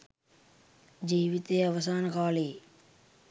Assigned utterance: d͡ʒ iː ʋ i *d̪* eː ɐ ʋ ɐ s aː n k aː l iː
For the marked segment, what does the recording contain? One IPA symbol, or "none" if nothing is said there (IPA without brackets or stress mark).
t̪